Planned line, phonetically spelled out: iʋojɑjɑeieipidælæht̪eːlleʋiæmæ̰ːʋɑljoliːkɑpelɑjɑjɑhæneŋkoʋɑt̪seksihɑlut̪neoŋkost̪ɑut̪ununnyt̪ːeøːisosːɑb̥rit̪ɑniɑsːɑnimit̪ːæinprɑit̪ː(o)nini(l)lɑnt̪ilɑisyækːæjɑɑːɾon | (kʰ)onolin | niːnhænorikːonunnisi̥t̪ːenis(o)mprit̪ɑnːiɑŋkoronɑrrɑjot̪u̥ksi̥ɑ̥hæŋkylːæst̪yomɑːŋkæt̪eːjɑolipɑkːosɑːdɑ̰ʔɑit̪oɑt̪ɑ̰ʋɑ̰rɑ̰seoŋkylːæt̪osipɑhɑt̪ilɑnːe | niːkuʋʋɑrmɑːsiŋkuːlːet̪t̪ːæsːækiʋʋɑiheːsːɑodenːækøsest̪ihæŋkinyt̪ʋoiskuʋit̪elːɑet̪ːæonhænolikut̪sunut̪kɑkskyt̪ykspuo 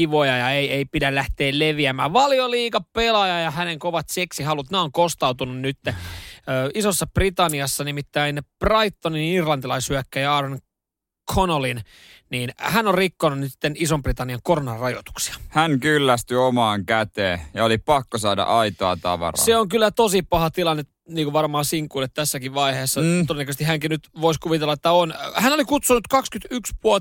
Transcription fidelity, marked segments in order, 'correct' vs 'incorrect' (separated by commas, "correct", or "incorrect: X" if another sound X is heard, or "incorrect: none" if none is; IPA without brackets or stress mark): correct, incorrect: r, correct, correct